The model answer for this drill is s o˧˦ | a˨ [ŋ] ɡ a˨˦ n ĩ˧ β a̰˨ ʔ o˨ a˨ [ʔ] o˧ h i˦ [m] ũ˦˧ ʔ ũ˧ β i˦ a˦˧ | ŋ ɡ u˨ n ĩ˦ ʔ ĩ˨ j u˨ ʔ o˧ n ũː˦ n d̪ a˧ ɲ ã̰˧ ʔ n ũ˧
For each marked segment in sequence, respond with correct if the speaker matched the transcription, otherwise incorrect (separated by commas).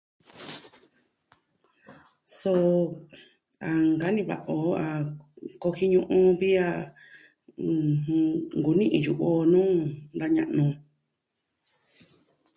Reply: correct, incorrect, incorrect